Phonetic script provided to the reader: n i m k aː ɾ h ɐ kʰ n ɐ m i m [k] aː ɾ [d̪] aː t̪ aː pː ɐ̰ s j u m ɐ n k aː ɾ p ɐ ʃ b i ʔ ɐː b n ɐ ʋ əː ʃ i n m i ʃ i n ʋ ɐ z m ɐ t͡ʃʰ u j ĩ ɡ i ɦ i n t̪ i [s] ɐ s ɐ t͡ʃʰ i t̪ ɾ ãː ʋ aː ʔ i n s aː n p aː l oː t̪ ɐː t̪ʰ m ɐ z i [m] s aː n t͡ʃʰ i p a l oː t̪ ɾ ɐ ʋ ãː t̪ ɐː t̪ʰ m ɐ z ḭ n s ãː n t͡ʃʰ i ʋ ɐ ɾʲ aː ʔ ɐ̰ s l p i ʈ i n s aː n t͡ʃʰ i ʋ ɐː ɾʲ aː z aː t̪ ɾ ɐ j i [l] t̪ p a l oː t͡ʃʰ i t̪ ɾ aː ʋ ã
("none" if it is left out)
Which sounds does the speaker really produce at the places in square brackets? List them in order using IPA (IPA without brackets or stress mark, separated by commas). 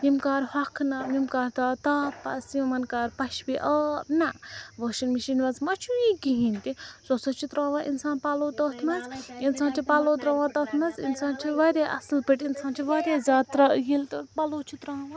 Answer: k, t̪, s, n, l